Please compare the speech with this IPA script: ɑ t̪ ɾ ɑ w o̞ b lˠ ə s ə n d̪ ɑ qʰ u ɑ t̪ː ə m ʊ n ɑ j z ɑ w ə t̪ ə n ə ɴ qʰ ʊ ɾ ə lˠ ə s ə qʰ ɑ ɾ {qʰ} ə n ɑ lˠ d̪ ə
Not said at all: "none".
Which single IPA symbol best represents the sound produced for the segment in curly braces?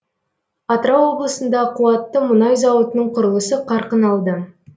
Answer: q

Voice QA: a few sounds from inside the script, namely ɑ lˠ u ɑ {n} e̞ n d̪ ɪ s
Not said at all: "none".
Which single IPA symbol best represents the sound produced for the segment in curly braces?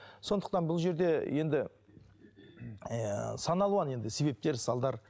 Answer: n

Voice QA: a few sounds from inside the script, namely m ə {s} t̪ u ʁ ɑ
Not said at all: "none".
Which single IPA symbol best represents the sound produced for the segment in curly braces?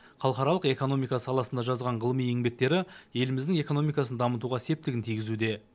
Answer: none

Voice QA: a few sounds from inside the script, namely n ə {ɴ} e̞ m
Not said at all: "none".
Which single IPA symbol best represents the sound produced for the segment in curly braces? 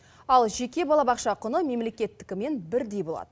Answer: m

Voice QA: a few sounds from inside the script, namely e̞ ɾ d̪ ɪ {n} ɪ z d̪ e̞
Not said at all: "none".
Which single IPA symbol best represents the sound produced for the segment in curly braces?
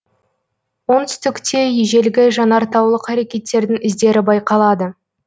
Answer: ŋ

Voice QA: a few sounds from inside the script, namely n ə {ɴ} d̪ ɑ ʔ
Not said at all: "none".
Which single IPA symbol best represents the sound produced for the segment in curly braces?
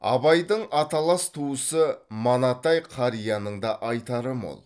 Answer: ɴ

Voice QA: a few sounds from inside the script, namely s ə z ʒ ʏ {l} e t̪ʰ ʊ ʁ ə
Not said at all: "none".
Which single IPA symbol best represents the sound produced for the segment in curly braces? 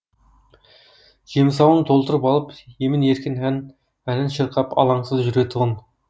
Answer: ɾ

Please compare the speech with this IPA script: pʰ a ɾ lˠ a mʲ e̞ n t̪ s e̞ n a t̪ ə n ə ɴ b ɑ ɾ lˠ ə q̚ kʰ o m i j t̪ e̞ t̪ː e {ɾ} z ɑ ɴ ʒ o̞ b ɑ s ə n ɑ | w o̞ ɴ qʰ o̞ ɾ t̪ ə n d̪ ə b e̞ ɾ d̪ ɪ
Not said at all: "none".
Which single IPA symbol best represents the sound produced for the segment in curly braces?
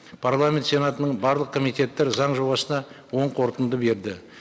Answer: ɾ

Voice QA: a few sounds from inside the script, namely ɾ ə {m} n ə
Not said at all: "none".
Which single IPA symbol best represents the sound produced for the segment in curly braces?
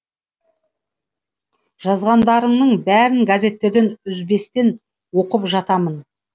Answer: ɴ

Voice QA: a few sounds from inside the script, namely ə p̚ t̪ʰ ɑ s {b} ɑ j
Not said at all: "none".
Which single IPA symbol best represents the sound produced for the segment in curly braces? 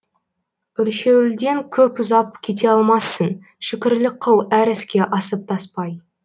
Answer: p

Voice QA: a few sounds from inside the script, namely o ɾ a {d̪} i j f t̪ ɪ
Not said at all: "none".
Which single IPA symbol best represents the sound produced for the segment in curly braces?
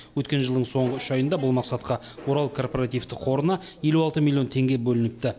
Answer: t̪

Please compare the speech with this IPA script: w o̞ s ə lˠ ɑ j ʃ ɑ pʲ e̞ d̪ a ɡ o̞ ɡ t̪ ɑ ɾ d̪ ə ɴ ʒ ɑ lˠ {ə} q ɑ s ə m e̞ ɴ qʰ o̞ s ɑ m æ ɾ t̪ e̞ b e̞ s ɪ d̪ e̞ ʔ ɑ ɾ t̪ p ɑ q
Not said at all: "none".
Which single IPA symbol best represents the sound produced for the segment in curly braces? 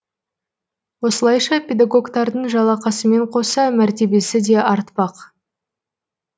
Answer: ɑ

